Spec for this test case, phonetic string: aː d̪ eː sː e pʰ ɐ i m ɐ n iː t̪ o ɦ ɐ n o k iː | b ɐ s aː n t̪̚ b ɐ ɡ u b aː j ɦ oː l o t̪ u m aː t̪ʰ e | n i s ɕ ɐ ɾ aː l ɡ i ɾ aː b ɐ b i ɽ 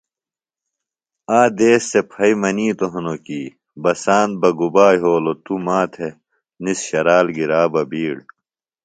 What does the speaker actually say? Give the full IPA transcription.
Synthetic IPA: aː d̪ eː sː e pʰ ɐ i m ɐ n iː t̪ o ɦ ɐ n o k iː | b ɐ s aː n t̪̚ b ɐ ɡ u b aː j ɦ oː l o t̪ u m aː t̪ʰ e | n i s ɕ ɐ ɾ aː l ɡ i ɾ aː b ɐ b iː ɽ